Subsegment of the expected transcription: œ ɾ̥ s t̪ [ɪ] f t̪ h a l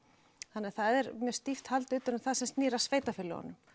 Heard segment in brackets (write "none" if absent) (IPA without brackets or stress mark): i